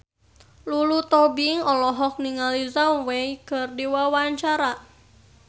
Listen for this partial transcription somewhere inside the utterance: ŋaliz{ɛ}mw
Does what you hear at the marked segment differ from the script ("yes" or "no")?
yes